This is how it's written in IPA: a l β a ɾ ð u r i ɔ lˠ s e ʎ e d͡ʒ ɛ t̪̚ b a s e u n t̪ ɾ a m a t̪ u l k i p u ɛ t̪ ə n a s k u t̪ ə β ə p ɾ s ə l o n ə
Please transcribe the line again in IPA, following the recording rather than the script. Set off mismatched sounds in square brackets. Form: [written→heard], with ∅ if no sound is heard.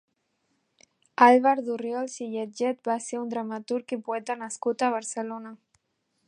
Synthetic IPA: a l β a ɾ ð u r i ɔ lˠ s [e→i] ʎ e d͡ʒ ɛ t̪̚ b a s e u n [t̪→d̪] ɾ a m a t̪ u [l→ɾ] k i p u ɛ t̪ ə n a s k u t̪ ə β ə [p→∅] ɾ s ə l o n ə